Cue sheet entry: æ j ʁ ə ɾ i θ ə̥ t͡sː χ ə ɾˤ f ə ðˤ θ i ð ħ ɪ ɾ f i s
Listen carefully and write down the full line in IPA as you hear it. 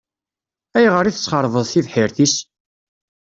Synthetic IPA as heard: æ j ʁ ə ɾ i θ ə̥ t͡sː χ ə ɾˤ v ə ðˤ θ i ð ħ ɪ ɾ θ i s